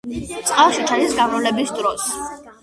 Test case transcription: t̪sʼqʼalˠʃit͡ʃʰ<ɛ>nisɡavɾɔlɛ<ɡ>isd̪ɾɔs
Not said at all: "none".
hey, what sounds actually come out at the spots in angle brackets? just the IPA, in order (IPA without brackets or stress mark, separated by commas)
a, b